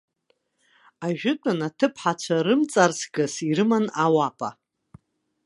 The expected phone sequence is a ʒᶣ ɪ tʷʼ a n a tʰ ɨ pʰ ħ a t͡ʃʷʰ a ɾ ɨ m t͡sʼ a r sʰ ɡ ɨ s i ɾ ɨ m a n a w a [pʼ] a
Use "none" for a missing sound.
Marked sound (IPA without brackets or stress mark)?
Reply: pʼ